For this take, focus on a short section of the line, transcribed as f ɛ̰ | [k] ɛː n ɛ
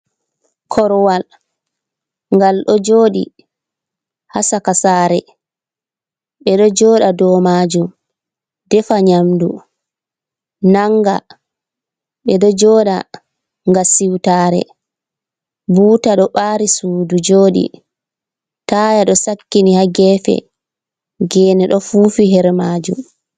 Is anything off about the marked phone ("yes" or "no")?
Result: yes